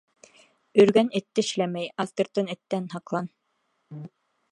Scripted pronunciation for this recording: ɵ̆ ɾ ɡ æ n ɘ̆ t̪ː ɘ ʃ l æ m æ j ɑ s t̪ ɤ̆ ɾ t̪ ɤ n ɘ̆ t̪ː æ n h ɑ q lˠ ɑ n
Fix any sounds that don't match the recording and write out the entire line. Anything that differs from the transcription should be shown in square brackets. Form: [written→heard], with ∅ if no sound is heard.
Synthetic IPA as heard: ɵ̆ ɾ ɡ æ n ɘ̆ t̪ː ɘ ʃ l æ m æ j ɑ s t̪ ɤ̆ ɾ t̪ ɤ n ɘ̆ t̪ː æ n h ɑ q lˠ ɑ n